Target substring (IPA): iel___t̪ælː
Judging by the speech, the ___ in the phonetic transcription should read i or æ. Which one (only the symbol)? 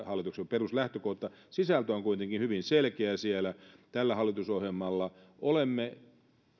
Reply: æ